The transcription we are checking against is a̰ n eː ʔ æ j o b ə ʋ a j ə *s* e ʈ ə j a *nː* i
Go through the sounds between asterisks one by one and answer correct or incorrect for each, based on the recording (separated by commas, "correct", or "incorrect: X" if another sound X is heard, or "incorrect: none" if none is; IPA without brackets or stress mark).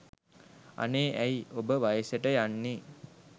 correct, correct